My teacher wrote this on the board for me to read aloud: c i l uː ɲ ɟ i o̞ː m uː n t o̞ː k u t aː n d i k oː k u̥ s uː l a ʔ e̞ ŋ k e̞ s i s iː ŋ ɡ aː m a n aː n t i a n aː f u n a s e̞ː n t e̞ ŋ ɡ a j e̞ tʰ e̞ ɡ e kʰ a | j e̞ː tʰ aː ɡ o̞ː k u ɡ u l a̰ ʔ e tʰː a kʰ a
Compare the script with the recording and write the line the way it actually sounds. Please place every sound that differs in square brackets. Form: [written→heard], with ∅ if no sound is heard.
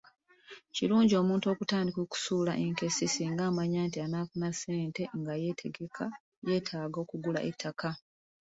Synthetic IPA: c i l uː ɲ ɟ i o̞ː m uː n t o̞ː k u t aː n d i k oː k u̥ s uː l a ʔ e̞ ŋ k e̞ s i s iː ŋ ɡ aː m a [n→ɲ] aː n t i a n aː f u n a s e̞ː n t e̞ ŋ ɡ a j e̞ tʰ e̞ ɡ e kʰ a | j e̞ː tʰ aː ɡ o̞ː k u ɡ u l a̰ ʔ e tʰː a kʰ a